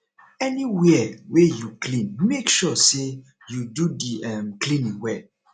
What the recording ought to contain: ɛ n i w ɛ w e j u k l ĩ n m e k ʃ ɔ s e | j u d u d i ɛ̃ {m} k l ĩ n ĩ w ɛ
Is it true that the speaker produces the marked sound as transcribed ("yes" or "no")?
yes